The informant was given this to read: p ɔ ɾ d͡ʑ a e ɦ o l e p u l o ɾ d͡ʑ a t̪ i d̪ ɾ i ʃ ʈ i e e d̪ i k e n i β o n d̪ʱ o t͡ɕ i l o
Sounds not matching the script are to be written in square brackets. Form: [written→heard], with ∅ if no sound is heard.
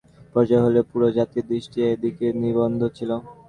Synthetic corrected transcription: p ɔ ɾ d͡ʑ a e ɦ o l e p u [l→ɾ] o [ɾ→∅] d͡ʑ a t̪ i d̪ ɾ i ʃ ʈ i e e d̪ i k e n i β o n d̪ʱ o [t͡ɕ→t͡ɕʰ] i l o

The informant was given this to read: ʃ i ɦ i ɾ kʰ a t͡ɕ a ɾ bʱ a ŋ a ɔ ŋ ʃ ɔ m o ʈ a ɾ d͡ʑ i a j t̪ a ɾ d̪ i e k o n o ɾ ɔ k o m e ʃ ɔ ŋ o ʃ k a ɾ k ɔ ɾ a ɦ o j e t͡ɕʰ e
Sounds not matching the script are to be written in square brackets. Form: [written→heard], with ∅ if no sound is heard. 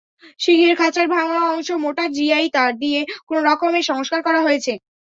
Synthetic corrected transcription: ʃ i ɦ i ɾ kʰ a t͡ɕ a ɾ bʱ a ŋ a ɔ ŋ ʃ [ɔ→o] m o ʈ a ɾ d͡ʑ i a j t̪ a ɾ d̪ i e k o n o ɾ ɔ k o m e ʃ ɔ ŋ o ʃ k a ɾ k ɔ ɾ a ɦ o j e t͡ɕʰ e

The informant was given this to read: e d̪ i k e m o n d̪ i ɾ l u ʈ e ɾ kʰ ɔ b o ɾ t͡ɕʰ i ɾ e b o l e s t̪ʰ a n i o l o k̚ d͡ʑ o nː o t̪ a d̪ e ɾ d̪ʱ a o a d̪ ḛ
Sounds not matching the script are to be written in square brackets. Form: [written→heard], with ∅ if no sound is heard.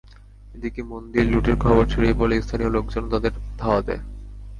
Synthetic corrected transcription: e d̪ i k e m o n d̪ i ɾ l u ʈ e ɾ kʰ ɔ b o ɾ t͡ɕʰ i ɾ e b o l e s t̪ʰ a n i o l o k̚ d͡ʑ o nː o t̪ a d̪ e ɾ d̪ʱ a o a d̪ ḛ

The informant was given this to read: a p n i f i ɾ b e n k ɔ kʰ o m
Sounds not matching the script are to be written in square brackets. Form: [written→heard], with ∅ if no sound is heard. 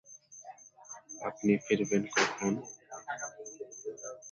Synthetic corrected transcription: a p n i f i ɾ b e n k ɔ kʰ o [m→n]

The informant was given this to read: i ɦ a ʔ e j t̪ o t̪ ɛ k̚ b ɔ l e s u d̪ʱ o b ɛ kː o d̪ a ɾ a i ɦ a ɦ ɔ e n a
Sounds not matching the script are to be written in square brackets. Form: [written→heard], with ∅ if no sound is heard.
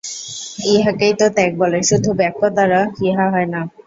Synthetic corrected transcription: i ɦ a [ʔ→k] e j t̪ o t̪ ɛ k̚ b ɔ l e [s→ʃ] u d̪ʱ [o→u] b ɛ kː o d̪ a ɾ a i ɦ a ɦ ɔ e n a

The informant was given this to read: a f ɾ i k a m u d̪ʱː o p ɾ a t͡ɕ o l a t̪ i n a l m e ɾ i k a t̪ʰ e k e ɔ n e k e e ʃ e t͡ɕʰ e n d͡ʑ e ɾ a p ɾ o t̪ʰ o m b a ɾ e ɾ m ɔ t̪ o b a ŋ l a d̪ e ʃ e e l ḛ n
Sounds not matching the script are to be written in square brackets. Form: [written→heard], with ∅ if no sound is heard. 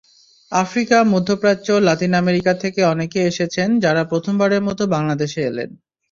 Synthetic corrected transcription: a f ɾ i k a m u d̪ʱː o p ɾ a t͡ɕ o l a t̪ i n a [l→∅] m e ɾ i k a t̪ʰ e k e ɔ n e k e e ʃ e t͡ɕʰ e n d͡ʑ [e→a] ɾ a p ɾ o t̪ʰ o m b a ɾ e ɾ m ɔ t̪ o b a ŋ l a d̪ e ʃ e e l ḛ n

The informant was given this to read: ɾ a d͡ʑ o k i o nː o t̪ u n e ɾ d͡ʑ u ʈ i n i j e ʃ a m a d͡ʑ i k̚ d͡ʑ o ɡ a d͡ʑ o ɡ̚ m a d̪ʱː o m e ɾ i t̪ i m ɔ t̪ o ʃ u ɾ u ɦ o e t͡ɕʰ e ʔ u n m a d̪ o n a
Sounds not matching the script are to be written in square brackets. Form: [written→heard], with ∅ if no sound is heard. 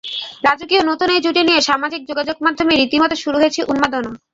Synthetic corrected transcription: ɾ a d͡ʑ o k i o [nː→n] o t̪ u n e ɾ d͡ʑ u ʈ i n i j e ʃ a m a d͡ʑ i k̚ d͡ʑ o ɡ a d͡ʑ o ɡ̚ m a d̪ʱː o m e ɾ i t̪ i m ɔ t̪ o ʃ u ɾ u ɦ o e t͡ɕʰ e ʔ u n m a d̪ o n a

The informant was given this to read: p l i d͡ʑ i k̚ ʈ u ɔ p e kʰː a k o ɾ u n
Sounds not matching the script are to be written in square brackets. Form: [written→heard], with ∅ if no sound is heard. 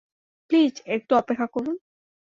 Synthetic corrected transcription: p l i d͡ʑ [i→e] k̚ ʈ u ɔ p e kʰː a k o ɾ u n

